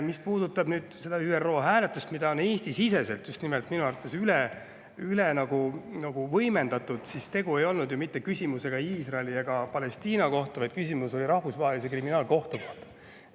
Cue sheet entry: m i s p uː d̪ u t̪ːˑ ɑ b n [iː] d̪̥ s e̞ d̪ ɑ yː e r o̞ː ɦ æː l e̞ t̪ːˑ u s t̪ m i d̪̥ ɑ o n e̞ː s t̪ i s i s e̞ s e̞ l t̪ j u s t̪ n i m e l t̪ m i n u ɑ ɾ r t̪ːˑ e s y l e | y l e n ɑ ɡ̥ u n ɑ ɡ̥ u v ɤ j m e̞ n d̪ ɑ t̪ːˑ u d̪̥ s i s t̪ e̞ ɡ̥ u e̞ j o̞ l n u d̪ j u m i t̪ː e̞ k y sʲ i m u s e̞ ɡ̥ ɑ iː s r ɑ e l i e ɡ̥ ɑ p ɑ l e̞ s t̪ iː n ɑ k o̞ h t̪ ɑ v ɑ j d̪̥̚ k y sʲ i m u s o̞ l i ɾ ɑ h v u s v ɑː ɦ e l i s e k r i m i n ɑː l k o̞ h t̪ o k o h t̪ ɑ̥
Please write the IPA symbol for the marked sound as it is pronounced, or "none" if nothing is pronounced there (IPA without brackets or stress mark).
yː